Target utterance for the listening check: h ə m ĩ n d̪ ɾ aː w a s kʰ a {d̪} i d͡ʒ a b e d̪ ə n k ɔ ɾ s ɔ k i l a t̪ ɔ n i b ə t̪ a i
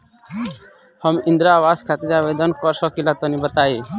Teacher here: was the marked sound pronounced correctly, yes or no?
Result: no